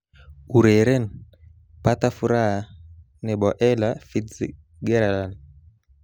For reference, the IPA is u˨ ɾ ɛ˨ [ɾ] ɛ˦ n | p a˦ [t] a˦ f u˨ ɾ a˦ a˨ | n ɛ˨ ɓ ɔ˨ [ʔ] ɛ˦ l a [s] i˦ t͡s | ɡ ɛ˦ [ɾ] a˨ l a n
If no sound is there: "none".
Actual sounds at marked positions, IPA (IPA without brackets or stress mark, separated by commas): ɾ, t, ʔ, f, ɾ